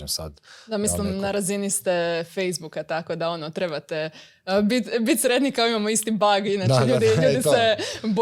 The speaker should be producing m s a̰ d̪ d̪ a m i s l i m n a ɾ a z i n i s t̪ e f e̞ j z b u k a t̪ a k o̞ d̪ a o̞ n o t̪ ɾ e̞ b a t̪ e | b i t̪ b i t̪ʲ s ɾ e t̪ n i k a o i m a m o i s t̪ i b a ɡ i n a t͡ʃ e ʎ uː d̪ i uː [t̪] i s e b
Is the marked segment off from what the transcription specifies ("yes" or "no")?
yes